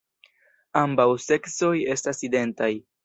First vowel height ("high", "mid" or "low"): low